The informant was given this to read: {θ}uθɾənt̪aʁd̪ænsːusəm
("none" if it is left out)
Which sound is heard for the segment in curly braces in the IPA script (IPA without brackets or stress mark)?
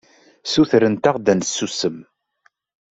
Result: s